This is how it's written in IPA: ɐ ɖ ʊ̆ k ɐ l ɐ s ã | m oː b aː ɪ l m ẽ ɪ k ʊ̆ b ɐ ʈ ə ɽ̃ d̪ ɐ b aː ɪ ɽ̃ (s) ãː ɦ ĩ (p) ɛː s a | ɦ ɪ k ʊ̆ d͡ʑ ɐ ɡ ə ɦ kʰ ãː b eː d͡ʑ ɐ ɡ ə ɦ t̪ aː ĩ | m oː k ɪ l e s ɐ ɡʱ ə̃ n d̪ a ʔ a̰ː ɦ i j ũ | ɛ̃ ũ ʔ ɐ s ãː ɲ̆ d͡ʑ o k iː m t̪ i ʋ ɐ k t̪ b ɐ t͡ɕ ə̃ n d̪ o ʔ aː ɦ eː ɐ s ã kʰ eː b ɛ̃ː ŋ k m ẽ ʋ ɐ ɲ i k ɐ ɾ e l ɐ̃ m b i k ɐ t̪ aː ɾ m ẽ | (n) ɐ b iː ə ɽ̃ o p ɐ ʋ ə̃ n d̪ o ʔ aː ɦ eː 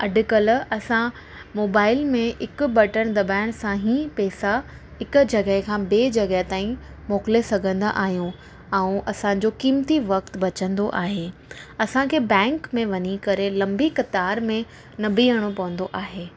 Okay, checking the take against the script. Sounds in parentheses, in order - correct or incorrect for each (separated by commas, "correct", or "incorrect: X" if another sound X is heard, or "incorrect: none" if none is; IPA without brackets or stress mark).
correct, correct, correct